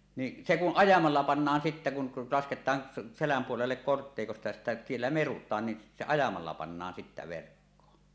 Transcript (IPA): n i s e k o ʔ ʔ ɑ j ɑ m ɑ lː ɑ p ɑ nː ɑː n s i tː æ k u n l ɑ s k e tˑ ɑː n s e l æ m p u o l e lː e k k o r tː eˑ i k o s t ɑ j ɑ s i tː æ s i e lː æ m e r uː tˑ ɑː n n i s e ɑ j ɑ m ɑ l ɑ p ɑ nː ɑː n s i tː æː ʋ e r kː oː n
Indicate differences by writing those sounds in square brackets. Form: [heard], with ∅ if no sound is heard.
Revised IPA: n i s e k [u] ʔ ʔ ɑ j ɑ m ɑ lː ɑ p ɑ nː ɑː n s i tː æ k u n l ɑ s k e tˑ ɑː n s e l æ m p u o l e lː e k k o r tː eˑ i k o s t ɑ j ɑ s i tː æ s i e lː æ m e r [u] tˑ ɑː n n i s e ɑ j ɑ m ɑ [lː] ɑ p ɑ nː ɑː n s i tː [æ] ʋ e r kː oː n